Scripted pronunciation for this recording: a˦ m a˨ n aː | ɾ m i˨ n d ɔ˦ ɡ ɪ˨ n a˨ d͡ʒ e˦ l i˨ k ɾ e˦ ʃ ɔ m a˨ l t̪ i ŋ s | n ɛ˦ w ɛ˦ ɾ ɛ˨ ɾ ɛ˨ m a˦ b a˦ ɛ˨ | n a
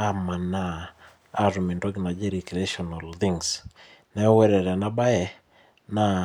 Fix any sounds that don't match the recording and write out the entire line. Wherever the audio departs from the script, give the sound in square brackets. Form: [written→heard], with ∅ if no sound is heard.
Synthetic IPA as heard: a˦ m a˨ n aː | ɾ m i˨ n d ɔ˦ ɡ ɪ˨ n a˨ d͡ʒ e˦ [l→ɾ] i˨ k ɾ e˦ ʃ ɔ [m→n] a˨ l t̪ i ŋ s | n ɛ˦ w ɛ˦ ɾ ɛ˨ ɾ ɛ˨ [m→n] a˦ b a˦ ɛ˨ | n a